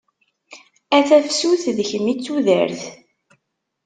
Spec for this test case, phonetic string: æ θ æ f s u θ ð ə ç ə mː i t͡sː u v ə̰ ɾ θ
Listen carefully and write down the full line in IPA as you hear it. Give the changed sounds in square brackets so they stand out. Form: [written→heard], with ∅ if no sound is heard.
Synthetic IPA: æ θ æ f s u θ ð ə ç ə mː i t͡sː u [v→ð] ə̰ ɾ θ